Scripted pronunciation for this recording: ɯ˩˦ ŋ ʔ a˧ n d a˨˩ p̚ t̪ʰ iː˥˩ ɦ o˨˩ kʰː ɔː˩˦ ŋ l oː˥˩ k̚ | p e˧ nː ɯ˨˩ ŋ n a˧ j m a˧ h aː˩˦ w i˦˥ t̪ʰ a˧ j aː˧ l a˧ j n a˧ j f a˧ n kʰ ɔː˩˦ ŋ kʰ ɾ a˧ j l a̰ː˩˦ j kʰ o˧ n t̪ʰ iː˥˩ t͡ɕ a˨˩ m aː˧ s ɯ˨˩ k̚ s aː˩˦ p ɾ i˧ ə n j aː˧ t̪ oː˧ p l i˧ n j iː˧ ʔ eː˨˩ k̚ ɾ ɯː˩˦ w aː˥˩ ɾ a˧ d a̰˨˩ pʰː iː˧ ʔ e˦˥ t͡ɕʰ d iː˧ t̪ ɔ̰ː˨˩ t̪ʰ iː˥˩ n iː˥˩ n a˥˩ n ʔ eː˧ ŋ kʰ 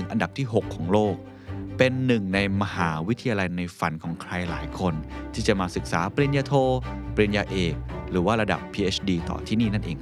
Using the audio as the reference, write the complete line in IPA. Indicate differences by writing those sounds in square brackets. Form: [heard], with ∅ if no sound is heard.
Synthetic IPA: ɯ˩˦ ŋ ʔ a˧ n d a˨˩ p̚ t̪ʰ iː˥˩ ɦ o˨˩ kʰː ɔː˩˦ ŋ l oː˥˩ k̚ | p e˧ nː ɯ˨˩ ŋ n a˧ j m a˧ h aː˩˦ w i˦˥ t̪ʰ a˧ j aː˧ l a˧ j n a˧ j f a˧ n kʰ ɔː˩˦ ŋ kʰ ɾ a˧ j l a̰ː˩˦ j kʰ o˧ n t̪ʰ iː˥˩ t͡ɕ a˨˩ m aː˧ s ɯ˨˩ k̚ s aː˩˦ p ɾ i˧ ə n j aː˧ [t̪ʰ] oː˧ p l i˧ n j [aː˧] ʔ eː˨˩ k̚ ɾ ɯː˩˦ w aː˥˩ ɾ a˧ d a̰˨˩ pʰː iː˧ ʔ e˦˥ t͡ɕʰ d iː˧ t̪ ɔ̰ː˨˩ t̪ʰ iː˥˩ n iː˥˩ n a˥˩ n ʔ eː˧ ŋ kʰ